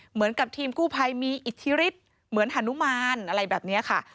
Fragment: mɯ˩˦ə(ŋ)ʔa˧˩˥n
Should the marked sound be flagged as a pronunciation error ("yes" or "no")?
yes